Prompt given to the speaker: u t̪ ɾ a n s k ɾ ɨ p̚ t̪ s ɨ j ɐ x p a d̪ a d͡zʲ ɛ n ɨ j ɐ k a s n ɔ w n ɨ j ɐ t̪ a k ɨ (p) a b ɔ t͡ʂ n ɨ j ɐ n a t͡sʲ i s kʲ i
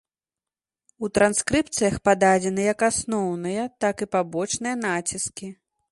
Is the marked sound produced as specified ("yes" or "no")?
yes